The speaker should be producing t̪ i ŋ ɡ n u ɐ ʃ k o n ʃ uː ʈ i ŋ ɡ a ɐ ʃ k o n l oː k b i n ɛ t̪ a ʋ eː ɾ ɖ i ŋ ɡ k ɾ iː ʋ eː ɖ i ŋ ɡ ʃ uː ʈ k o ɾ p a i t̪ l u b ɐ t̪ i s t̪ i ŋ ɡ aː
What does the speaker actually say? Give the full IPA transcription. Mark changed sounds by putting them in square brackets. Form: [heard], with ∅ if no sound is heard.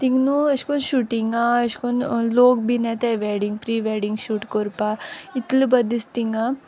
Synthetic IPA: t̪ i ŋ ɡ n u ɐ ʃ k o n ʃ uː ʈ i ŋ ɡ a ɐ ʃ k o n l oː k b i n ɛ t̪ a ʋ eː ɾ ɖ i ŋ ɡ [p] ɾ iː ʋ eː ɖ i ŋ ɡ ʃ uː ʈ k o ɾ p a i t̪ l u b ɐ [d̪] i s t̪ i ŋ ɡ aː